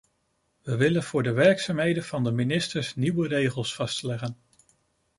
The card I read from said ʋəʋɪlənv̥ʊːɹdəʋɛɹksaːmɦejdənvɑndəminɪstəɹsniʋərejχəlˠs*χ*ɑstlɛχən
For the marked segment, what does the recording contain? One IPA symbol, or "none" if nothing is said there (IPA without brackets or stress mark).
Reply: f